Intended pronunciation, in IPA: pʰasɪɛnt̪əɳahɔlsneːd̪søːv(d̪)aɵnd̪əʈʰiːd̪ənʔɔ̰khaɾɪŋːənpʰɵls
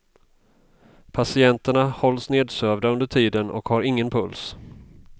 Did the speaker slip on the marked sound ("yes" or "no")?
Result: no